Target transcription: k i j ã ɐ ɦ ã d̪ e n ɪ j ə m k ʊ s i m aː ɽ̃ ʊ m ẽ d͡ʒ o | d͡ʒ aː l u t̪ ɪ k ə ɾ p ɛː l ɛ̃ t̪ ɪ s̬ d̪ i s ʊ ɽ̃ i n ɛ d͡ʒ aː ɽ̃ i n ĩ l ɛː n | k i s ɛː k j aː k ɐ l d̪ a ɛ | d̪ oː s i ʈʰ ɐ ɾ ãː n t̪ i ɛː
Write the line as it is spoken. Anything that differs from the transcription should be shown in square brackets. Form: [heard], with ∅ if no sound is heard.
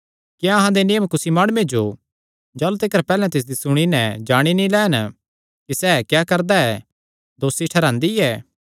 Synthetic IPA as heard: k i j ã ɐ ɦ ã d̪ e n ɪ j ə m k ʊ s i m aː ɽ̃ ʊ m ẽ d͡ʒ o | d͡ʒ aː l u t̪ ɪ k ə ɾ p ɛː l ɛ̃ t̪ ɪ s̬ d̪ i s ʊ ɽ̃ i n ɛ d͡ʒ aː ɽ̃ i n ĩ l ɛː n | k i s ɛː k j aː k ɐ [ɾ] d̪ a ɛ | d̪ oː s i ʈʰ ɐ ɾ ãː n [d̪] i ɛː